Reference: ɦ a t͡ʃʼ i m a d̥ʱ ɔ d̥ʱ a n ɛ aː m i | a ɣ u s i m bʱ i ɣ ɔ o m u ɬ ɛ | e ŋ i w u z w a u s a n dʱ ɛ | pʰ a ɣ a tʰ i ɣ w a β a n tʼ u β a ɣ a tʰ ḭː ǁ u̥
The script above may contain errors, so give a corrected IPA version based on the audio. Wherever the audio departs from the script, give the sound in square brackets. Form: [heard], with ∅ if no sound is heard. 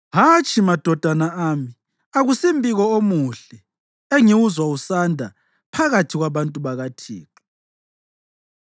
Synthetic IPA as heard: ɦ a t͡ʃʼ i m a d̥ʱ ɔ d̥ʱ a n [a] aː m i | a ɣ u s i m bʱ i ɣ ɔ o m u ɬ ɛ | e ŋ i w u z w a u s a n dʱ [a] | pʰ a ɣ a tʰ i ɣ w a β a n tʼ u β a ɣ a tʰ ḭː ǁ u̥